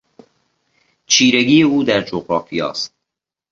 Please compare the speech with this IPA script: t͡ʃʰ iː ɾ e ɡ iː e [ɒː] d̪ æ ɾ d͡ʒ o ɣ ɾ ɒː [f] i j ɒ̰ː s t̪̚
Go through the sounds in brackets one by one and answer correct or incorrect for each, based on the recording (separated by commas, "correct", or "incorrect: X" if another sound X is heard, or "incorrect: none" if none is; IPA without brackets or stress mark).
incorrect: uː, correct